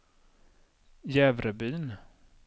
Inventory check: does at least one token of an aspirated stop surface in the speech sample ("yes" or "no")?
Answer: no